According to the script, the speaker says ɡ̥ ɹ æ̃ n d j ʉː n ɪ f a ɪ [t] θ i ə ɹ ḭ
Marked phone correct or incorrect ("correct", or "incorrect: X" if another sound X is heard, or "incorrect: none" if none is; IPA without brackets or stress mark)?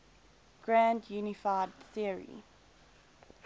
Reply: incorrect: d